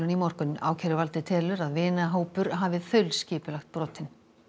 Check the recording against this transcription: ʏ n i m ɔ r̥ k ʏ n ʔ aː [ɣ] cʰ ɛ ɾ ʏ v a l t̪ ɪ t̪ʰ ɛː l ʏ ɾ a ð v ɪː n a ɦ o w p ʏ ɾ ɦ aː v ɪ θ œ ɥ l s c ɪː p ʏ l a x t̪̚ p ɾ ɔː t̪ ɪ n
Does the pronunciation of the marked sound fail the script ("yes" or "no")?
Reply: yes